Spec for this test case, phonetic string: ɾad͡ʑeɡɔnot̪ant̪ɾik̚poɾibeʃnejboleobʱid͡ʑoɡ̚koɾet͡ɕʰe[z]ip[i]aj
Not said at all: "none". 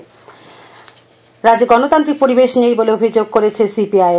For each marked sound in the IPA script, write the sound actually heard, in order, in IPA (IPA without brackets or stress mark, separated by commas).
s, i